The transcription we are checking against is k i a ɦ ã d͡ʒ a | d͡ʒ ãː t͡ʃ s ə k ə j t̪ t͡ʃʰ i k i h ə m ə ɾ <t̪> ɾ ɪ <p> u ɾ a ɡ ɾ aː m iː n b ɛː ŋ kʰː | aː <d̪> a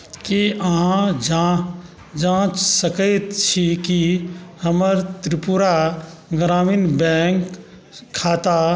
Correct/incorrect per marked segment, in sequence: correct, correct, incorrect: t̪

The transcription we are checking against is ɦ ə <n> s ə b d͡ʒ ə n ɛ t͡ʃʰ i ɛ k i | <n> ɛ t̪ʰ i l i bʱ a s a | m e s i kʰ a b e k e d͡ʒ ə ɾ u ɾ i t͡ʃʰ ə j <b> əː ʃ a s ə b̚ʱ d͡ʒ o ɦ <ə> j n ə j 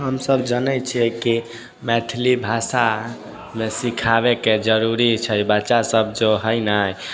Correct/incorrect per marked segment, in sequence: incorrect: m, incorrect: m, correct, correct

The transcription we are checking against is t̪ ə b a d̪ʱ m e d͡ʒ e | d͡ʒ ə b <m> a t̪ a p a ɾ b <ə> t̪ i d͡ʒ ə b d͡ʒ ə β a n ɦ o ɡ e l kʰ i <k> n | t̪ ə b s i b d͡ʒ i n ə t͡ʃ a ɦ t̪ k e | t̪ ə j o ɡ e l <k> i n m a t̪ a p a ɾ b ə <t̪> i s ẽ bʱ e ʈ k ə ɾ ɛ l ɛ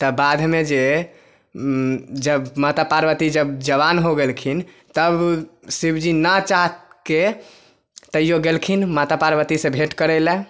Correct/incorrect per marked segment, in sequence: correct, correct, incorrect: none, incorrect: kʰ, correct

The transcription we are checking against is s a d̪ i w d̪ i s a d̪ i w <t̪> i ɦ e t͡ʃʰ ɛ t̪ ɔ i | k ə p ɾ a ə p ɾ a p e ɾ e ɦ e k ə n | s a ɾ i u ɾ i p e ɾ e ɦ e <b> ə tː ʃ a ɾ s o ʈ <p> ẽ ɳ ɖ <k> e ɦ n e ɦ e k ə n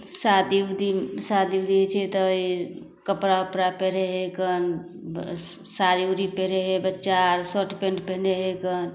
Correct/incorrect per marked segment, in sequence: incorrect: d̪, correct, correct, incorrect: p

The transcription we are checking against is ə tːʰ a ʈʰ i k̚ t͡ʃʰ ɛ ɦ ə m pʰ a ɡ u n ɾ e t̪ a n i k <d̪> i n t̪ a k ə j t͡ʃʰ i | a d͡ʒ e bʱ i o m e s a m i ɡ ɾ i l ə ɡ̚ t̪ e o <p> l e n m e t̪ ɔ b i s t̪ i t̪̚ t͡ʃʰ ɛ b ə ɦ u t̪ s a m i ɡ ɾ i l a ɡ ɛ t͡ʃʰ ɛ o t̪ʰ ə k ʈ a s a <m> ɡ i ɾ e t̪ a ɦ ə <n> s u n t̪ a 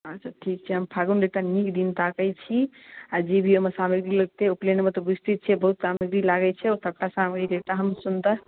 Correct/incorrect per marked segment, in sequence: correct, correct, correct, incorrect: m

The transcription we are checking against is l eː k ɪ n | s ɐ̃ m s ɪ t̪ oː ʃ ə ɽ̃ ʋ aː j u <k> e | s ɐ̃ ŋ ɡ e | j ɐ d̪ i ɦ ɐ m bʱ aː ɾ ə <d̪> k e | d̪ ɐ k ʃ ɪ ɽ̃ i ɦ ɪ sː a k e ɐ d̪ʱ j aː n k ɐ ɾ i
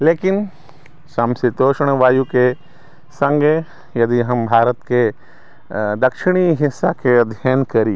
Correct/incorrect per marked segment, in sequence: correct, incorrect: t̪

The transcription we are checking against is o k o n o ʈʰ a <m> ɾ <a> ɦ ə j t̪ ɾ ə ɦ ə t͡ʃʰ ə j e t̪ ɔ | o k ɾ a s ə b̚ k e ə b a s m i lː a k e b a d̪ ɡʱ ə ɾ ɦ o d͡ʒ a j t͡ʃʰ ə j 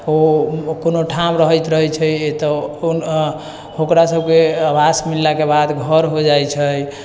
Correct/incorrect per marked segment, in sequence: correct, incorrect: ə

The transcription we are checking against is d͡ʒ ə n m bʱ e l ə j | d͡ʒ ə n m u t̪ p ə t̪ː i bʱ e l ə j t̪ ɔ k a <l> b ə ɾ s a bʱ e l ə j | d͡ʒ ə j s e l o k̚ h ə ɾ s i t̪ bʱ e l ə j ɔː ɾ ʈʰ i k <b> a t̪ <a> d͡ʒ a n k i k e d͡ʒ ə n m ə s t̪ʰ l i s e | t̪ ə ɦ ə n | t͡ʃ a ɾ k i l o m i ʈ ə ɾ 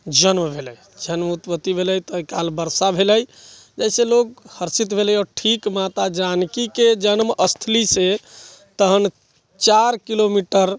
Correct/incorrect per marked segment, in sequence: correct, incorrect: m, correct

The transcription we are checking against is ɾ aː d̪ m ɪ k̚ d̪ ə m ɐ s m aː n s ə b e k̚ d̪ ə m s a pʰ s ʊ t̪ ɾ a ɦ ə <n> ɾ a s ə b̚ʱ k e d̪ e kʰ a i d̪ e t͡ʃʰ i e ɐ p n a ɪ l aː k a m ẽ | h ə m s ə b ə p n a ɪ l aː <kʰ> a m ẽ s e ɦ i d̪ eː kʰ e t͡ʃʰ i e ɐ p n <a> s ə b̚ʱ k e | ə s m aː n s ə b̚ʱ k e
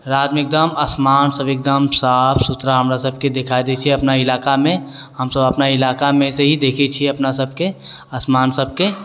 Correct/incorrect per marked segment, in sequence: incorrect: m, incorrect: k, correct

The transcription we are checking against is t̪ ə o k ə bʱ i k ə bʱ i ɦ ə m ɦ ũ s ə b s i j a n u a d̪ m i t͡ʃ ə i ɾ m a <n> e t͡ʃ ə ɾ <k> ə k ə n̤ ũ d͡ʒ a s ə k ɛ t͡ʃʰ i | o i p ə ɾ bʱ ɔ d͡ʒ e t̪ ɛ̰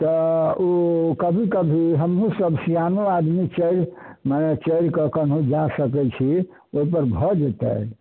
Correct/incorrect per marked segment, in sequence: correct, correct

